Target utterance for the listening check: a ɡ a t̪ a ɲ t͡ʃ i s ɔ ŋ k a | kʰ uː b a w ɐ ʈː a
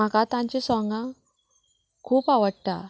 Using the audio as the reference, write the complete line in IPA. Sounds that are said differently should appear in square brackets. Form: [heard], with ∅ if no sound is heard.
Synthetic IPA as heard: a [k] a t̪ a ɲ t͡ʃ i s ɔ ŋ [ɡ] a | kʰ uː [p] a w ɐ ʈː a

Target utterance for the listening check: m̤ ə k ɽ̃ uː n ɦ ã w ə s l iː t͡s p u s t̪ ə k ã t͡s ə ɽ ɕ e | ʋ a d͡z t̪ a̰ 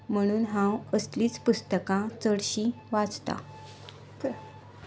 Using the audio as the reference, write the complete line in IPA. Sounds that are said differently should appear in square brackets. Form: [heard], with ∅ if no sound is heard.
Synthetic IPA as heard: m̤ ə [∅] ɽ̃ uː n ɦ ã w ə s l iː t͡s p u s t̪ ə k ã t͡s ə ɽ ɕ [i] | ʋ a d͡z t̪ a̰

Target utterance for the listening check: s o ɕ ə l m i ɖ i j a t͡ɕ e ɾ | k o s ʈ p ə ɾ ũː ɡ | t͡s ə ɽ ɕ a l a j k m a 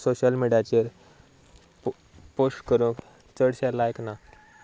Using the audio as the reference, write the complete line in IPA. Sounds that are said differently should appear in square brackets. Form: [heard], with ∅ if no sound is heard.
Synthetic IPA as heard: s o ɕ ə l m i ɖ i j a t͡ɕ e ɾ | [p] o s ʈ [k] ə ɾ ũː [k] | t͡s ə ɽ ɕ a l a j k [n] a

